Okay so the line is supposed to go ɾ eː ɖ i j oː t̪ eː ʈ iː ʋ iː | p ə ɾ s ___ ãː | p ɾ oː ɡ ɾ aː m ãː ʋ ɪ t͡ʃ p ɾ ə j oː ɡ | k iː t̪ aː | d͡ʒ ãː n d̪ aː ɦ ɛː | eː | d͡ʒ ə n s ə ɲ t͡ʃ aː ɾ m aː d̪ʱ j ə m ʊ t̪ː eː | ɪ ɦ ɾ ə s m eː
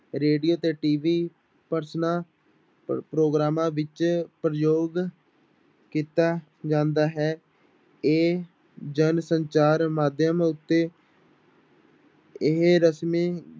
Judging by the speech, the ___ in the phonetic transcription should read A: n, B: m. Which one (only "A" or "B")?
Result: A